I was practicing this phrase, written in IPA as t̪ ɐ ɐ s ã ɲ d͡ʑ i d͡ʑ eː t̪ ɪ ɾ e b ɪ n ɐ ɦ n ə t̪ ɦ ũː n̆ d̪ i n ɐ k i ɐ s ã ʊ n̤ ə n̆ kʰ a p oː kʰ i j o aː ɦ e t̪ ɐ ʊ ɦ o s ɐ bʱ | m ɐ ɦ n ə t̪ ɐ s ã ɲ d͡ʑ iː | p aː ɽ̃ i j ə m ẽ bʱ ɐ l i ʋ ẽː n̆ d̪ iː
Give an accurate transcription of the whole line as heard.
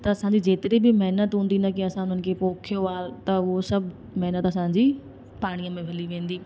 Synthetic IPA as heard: t̪ ɐ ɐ s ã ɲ d͡ʑ i d͡ʑ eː t̪ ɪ ɾ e b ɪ m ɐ ɦ n ə t̪ ɦ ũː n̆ d̪ i n ɐ k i ɐ s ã ʊ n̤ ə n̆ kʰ e p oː kʰ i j o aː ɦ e t̪ ɐ ʊ ɦ o s ɐ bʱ | m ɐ ɦ n ə t̪ ɐ s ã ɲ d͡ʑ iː | p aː ɽ̃ i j ə m ẽ bʱ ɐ l i ʋ ẽː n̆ d̪ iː